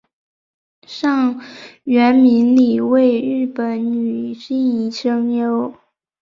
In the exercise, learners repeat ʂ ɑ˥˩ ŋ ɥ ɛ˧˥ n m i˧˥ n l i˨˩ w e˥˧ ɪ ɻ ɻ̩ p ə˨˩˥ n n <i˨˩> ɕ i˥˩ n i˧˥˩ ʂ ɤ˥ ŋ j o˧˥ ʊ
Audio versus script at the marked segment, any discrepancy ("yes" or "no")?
yes